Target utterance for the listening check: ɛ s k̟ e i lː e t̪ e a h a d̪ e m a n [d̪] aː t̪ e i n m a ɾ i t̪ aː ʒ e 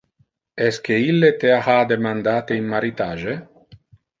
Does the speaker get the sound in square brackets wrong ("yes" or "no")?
no